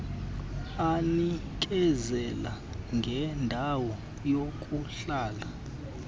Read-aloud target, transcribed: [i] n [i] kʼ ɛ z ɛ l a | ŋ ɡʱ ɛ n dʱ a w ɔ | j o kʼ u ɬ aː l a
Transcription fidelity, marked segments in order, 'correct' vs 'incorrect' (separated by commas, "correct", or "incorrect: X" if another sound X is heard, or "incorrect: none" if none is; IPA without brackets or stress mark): incorrect: a, correct